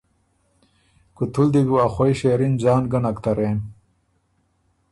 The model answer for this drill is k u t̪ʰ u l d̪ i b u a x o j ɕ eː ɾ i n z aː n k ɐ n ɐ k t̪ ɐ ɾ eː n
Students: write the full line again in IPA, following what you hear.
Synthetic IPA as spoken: k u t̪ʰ u l d̪ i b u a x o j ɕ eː ɾ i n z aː n ɡ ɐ n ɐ k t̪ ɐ ɾ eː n